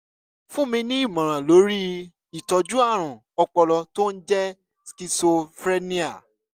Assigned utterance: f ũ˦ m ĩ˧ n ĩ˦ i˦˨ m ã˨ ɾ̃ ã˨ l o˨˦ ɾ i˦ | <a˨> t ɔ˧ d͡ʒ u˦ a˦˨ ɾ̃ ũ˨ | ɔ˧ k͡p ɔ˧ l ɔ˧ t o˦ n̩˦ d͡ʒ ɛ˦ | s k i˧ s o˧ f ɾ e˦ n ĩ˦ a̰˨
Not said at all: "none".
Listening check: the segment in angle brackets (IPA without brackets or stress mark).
i˨